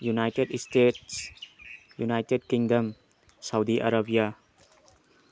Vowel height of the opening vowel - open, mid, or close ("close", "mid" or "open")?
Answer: close